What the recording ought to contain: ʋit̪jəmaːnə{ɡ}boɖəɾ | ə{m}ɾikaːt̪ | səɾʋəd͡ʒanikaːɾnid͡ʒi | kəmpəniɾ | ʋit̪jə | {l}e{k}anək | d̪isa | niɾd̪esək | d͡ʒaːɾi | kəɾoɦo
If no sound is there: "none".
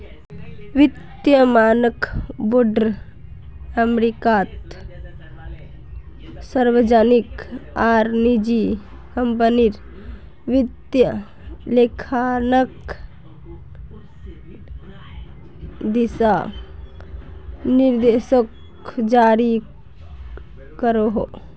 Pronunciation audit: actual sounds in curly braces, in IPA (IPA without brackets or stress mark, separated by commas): k, m, l, kʰ